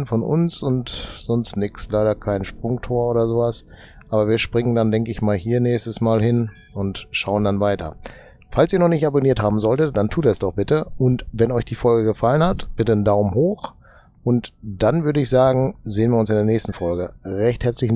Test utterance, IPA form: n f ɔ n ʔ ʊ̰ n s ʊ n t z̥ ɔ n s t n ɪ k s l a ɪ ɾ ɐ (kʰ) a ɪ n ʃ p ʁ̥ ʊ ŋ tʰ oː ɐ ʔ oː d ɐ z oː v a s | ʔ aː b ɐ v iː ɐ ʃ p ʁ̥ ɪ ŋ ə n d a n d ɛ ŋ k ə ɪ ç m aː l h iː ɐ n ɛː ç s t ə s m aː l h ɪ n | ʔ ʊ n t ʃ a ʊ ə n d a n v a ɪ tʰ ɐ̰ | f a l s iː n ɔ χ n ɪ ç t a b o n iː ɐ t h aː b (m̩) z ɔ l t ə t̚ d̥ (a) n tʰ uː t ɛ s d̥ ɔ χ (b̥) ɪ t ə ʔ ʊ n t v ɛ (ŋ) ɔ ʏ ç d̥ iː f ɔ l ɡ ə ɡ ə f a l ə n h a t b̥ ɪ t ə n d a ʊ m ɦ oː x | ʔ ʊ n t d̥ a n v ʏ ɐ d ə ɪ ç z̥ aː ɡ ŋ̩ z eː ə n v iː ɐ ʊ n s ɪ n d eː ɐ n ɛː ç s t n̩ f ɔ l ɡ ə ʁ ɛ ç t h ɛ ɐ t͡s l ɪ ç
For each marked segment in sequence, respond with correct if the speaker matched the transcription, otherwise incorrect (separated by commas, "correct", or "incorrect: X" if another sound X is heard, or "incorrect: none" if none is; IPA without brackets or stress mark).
correct, correct, correct, correct, incorrect: n